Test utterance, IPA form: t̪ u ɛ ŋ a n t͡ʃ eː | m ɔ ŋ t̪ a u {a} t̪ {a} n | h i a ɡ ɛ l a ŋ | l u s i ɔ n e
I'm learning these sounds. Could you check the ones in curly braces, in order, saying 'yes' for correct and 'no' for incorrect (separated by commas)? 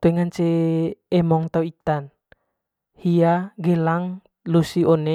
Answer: no, yes